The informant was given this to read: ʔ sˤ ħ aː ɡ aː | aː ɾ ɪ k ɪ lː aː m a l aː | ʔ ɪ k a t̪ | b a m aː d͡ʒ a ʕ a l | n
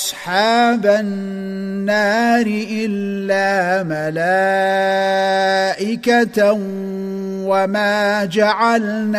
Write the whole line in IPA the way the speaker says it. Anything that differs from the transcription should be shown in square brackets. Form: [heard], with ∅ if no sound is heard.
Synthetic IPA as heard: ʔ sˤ ħ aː [b] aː | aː ɾ ɪ [ʔ] ɪ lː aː m a l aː | ʔ ɪ k a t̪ | [w] a m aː d͡ʒ a ʕ a l | n